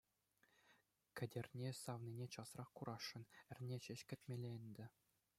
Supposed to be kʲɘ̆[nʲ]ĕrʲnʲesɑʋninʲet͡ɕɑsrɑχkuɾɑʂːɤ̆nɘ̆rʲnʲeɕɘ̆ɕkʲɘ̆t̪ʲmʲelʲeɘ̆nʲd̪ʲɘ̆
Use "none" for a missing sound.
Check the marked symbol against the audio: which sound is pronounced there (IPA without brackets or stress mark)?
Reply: dʲ